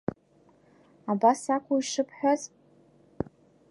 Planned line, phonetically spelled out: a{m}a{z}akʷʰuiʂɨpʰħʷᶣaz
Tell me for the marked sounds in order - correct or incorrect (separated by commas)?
incorrect, incorrect